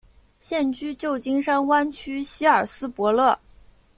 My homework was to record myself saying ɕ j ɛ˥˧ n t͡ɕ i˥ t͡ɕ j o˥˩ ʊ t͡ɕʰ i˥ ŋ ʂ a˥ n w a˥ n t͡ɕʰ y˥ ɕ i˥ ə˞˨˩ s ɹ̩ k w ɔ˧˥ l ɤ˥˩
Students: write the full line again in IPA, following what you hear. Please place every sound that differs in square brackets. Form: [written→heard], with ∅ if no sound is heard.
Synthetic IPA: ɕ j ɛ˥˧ n t͡ɕ [i˥→y˥] t͡ɕ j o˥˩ ʊ [t͡ɕʰ→t͡ɕ] i˥ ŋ ʂ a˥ n w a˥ n t͡ɕʰ y˥ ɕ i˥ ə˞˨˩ s ɹ̩ [k→p] w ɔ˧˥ l ɤ˥˩